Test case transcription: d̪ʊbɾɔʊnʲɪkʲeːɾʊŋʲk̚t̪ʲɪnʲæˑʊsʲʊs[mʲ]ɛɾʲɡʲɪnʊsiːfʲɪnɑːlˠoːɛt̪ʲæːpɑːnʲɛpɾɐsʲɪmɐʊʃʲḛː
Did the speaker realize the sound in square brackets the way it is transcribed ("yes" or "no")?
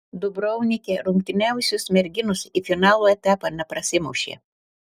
yes